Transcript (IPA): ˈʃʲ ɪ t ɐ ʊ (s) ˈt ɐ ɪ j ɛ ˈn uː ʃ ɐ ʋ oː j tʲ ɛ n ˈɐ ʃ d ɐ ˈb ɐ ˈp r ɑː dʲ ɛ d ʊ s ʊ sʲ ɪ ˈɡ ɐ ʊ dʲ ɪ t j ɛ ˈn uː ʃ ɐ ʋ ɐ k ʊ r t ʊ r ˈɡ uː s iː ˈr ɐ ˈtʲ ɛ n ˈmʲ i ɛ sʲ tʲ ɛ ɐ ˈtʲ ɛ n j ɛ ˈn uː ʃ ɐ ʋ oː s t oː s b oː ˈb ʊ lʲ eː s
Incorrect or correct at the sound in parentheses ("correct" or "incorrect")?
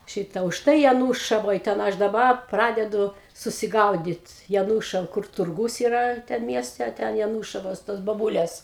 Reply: incorrect